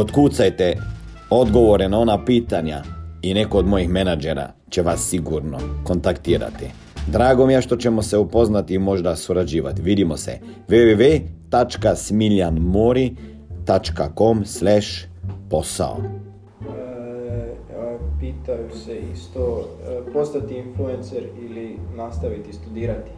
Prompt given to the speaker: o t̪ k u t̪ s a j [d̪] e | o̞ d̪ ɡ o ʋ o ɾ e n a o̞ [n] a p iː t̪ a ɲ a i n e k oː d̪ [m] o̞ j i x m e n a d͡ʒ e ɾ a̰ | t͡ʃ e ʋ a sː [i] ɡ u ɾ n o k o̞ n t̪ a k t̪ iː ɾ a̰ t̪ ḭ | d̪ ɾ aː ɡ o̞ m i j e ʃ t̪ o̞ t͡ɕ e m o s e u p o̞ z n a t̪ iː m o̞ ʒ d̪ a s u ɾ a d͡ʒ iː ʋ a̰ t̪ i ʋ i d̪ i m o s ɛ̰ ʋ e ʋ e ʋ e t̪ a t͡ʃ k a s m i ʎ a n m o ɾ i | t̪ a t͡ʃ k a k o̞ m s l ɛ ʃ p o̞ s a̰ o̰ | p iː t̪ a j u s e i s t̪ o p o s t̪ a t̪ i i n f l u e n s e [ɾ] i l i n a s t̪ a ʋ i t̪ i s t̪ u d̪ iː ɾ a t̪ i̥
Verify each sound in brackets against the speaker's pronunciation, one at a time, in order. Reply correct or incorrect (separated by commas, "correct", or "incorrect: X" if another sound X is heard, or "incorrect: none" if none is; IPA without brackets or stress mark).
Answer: incorrect: t̪, correct, correct, correct, correct